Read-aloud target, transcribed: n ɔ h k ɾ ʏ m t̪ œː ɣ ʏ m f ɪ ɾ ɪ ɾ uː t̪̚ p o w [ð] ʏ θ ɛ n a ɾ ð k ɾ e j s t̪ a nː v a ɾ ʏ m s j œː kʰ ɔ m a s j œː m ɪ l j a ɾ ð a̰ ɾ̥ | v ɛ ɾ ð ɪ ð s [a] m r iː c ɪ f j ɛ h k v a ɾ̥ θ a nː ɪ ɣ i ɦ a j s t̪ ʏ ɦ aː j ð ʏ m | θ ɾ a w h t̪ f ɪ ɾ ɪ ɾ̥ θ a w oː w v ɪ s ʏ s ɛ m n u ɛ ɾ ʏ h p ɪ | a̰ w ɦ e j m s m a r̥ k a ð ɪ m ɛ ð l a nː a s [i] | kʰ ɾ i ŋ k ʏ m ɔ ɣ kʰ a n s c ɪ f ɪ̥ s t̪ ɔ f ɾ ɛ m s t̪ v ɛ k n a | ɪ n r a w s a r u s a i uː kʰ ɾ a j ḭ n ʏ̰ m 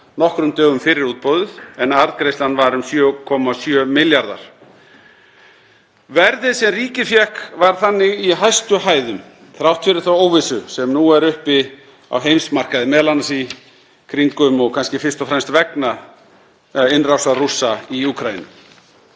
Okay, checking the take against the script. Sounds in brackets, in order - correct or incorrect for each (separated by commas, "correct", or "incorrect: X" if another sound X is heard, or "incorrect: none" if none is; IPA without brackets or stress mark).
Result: correct, incorrect: ɛ, correct